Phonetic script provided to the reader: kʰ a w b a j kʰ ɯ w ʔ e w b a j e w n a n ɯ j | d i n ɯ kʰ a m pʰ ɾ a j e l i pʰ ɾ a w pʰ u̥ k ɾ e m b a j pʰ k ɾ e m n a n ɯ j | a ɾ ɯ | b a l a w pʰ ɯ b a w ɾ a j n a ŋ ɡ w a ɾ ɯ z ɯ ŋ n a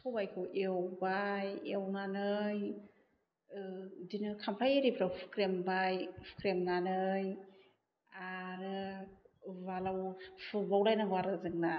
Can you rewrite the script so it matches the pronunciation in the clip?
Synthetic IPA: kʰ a w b a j kʰ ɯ w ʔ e w b a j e w n a n ɯ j | d i n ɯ kʰ a m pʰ ɾ a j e ɾ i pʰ ɾ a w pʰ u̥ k ɾ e m b a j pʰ k ɾ e m n a n ɯ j | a ɾ ɯ | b a l a w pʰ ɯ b a w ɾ a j n a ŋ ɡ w a ɾ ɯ z ɯ ŋ n a